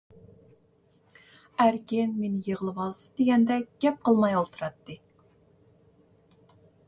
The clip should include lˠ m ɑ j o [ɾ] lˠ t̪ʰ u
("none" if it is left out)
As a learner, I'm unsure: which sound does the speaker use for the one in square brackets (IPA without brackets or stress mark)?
none